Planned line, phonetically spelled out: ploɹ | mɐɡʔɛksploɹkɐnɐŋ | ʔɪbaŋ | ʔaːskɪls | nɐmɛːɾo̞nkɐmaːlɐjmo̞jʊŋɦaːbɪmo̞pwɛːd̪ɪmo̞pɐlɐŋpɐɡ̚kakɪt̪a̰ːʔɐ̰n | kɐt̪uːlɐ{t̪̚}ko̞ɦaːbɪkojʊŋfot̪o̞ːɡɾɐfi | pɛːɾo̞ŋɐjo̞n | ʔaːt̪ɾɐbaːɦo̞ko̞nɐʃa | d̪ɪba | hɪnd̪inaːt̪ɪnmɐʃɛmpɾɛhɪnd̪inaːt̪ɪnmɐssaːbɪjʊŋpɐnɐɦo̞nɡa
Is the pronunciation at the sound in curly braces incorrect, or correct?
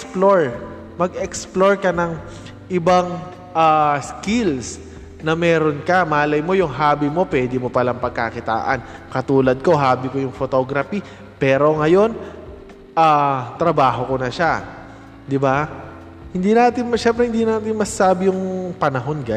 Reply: incorrect